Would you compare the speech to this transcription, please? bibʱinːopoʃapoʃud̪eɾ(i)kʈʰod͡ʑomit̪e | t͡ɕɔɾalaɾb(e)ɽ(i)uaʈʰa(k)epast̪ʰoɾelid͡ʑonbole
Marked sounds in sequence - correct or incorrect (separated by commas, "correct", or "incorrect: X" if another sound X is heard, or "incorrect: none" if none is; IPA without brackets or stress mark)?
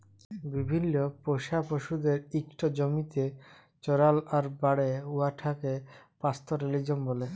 correct, incorrect: a, incorrect: e, correct